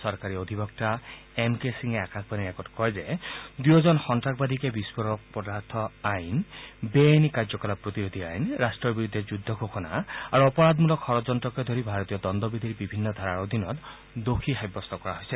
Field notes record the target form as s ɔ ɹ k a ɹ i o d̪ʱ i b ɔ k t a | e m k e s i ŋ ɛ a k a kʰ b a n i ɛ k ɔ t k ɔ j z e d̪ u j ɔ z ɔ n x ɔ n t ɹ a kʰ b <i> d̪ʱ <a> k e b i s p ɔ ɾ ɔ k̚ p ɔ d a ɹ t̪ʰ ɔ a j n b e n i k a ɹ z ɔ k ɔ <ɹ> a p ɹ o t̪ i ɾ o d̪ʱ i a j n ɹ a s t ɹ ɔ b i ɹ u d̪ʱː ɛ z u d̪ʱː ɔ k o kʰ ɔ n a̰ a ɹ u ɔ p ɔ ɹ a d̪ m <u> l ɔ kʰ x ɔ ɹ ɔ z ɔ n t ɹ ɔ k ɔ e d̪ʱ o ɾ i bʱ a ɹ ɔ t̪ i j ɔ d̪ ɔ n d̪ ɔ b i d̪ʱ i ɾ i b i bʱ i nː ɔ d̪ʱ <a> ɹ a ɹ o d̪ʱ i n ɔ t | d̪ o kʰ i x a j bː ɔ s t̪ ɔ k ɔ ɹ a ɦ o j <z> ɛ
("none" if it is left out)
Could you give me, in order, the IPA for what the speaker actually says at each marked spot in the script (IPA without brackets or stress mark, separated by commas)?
a, i, l, u, a, s